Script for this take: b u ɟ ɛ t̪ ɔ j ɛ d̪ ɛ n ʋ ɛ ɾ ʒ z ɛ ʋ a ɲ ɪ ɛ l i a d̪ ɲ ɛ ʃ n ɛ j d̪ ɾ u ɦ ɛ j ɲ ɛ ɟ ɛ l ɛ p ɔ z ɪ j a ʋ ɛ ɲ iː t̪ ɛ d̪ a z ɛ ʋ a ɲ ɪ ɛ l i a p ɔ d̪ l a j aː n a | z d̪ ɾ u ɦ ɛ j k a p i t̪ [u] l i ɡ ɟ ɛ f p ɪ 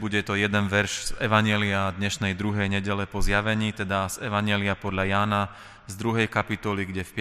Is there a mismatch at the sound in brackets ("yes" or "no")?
yes